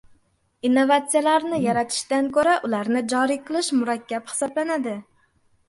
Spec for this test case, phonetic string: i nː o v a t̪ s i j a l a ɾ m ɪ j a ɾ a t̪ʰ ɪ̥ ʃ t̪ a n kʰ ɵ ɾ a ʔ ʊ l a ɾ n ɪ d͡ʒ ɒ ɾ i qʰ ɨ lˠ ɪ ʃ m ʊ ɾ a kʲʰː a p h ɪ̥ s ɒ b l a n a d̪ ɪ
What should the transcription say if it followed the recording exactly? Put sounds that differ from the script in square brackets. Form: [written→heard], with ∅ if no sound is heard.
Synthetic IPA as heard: i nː o v a t̪ s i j a l a ɾ [m→n] ɪ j a ɾ a t̪ʰ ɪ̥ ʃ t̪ a n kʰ ɵ ɾ a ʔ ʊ l a ɾ n ɪ d͡ʒ ɒ ɾ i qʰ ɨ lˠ ɪ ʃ m ʊ ɾ a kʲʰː a p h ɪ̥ s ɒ b l a n a d̪ ɪ